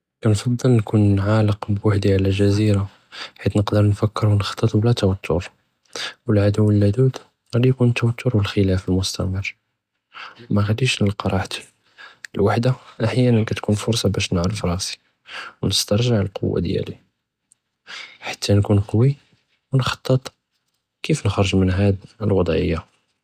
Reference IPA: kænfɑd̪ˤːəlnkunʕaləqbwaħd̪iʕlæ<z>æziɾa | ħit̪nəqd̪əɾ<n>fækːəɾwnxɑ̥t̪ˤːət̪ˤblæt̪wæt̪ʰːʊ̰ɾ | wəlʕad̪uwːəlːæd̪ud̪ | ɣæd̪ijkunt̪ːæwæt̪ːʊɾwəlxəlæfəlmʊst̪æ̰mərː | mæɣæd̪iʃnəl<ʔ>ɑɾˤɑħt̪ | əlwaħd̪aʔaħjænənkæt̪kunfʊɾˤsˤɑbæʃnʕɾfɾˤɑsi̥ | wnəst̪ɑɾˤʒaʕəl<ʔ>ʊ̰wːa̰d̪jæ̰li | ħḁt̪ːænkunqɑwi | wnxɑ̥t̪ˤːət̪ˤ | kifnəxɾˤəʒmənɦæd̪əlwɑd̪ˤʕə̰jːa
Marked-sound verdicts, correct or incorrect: incorrect, correct, incorrect, incorrect

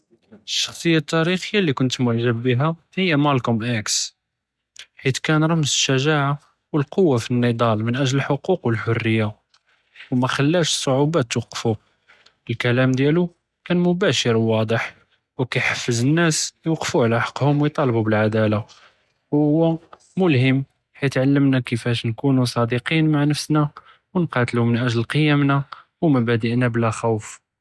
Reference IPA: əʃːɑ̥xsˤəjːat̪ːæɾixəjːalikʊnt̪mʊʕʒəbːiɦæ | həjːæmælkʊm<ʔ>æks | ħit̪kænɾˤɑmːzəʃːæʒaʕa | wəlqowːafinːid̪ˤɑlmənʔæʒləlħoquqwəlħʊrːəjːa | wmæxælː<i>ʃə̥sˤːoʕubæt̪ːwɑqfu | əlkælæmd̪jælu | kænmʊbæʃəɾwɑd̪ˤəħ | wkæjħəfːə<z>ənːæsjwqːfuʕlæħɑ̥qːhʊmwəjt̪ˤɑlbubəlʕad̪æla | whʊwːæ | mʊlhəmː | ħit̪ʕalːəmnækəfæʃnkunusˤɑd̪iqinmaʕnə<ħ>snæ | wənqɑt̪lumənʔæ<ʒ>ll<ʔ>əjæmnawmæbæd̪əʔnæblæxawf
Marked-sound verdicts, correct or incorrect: correct, incorrect, correct, incorrect, correct, incorrect

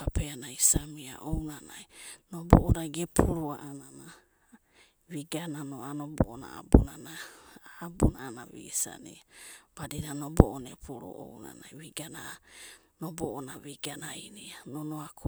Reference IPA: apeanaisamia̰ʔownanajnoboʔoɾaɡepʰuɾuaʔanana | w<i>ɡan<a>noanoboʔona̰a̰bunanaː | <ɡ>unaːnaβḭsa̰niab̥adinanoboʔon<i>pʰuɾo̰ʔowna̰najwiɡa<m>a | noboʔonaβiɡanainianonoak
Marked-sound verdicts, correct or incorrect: correct, correct, incorrect, incorrect, incorrect

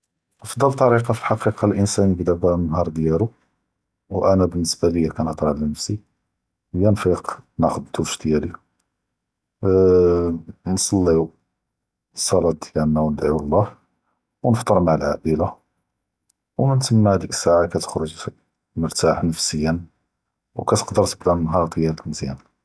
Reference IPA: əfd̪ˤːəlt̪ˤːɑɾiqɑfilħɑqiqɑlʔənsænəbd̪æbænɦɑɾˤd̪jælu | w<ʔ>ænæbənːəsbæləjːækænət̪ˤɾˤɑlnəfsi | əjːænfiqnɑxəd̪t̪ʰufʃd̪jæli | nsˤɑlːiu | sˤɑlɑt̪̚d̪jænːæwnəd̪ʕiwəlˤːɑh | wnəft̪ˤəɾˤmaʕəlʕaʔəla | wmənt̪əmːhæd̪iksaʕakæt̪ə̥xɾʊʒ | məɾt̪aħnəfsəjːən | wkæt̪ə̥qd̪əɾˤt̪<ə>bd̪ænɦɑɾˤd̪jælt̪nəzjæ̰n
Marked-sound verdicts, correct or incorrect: correct, correct

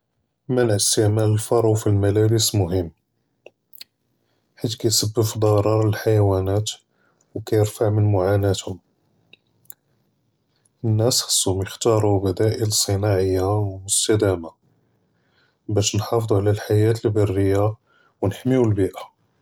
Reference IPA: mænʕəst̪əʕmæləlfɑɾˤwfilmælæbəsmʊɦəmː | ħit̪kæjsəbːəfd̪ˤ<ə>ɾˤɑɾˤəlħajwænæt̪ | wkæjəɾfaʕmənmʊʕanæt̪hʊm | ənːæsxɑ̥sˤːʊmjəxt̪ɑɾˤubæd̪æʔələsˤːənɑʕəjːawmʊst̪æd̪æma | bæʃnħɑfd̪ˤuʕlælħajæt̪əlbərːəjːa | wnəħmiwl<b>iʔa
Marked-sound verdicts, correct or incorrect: incorrect, correct

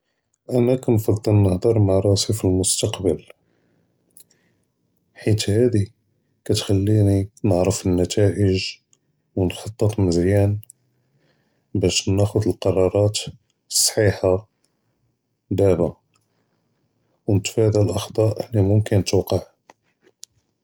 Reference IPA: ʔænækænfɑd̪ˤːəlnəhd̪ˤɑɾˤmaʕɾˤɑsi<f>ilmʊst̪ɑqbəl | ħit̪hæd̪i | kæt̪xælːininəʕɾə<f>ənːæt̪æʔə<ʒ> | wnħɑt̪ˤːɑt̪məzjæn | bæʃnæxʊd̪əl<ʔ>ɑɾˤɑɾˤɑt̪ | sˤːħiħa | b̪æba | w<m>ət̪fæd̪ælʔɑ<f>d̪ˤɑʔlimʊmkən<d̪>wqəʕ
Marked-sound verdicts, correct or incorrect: correct, correct, correct, incorrect, incorrect, incorrect, incorrect

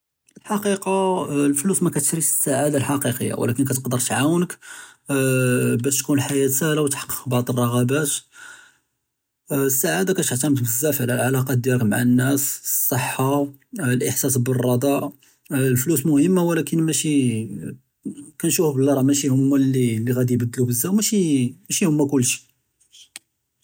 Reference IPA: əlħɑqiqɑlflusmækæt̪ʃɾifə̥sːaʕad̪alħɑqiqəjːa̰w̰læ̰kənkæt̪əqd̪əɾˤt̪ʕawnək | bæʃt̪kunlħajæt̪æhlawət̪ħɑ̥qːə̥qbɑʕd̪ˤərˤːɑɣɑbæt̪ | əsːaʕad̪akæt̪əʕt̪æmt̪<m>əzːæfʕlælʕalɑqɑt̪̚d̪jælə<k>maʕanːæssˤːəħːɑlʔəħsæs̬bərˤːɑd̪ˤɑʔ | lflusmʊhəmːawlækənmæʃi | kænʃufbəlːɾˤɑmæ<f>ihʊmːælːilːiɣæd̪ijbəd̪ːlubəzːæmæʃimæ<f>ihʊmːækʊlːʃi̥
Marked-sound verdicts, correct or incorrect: incorrect, correct, incorrect, incorrect

